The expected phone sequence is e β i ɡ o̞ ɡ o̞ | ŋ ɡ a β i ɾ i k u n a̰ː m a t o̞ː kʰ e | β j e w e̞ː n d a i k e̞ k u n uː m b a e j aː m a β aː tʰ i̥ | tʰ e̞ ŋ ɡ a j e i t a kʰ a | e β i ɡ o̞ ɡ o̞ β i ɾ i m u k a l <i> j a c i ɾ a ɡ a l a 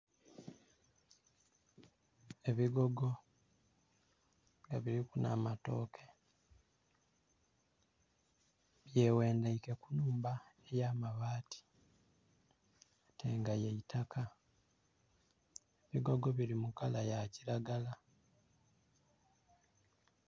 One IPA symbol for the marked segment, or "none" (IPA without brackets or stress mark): a